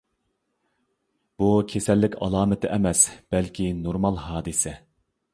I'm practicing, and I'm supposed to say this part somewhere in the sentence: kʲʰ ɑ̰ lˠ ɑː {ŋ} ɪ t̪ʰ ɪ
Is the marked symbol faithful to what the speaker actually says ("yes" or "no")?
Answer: no